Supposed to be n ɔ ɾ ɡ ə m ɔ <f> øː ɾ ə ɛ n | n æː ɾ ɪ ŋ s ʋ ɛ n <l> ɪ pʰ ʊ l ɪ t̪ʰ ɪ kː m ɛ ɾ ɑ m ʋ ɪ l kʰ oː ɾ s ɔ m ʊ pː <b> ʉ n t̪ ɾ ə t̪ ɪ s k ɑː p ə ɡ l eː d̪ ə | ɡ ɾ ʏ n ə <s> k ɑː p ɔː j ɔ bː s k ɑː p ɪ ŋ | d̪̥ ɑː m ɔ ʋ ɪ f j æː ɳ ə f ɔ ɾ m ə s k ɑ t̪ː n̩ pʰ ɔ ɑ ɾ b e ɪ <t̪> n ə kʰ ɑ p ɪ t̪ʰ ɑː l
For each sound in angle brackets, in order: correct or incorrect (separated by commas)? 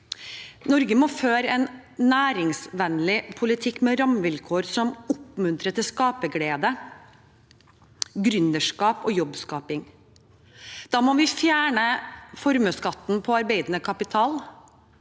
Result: correct, correct, incorrect, incorrect, incorrect